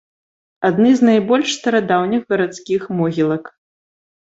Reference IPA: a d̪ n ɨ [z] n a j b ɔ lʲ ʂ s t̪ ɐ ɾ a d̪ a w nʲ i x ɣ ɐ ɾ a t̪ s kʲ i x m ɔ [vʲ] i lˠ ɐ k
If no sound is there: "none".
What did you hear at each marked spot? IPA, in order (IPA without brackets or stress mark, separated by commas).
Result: z, ɣʲ